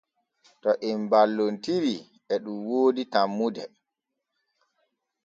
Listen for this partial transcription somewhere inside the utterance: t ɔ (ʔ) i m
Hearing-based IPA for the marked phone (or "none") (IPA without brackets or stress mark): ʔ